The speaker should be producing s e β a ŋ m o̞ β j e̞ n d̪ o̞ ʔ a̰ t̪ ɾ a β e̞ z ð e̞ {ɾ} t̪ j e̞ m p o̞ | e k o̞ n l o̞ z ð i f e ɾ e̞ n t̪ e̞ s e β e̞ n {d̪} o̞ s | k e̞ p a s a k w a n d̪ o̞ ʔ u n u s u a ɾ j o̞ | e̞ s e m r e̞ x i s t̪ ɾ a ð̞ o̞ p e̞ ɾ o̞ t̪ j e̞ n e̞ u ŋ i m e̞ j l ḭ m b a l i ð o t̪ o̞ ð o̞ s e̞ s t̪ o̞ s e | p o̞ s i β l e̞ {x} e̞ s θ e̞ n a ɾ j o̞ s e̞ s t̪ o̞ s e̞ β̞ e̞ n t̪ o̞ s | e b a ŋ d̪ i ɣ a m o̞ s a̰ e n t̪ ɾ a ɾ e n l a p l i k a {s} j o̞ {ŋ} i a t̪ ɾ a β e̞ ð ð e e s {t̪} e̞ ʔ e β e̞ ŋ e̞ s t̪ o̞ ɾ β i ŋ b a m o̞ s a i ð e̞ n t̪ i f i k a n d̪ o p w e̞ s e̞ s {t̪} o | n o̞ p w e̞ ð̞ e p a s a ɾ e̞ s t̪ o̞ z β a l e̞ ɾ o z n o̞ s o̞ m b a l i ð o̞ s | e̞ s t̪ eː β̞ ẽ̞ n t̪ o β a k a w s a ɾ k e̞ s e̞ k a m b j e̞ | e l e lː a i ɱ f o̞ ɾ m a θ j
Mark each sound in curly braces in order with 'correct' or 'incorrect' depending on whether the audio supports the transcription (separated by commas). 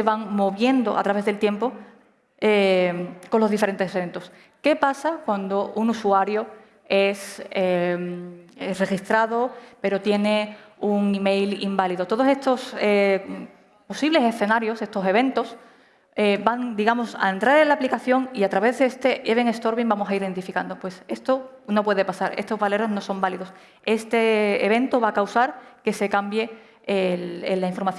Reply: incorrect, incorrect, incorrect, incorrect, correct, correct, correct